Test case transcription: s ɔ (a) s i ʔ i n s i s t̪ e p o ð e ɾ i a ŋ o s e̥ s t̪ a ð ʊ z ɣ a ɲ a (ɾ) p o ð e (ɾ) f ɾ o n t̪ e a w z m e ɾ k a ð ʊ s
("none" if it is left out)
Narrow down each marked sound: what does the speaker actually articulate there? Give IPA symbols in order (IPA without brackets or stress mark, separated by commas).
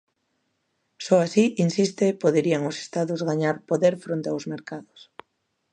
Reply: a, ɾ, ɾ